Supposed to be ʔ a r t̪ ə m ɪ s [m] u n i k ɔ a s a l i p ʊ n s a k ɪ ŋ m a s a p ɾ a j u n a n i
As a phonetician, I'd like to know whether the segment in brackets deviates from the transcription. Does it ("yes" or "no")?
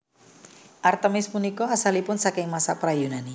no